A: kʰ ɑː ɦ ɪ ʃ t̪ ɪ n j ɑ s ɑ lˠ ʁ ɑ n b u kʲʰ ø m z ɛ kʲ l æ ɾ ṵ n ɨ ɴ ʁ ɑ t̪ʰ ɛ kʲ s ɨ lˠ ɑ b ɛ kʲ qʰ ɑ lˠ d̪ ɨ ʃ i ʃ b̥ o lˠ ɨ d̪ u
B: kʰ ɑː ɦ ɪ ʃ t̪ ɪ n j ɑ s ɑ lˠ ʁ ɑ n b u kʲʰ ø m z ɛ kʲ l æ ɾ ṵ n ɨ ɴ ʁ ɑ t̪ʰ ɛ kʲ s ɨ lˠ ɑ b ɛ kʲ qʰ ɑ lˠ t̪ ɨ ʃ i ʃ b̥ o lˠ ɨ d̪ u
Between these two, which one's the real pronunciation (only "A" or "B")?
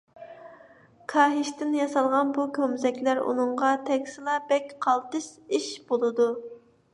B